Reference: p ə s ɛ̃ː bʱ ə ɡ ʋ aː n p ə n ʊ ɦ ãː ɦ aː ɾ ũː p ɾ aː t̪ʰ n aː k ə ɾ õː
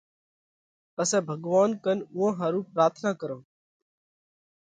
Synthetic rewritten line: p ə s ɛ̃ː bʱ ə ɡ ʋ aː n k ə n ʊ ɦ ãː ɦ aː ɾ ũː p ɾ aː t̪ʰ n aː k ə ɾ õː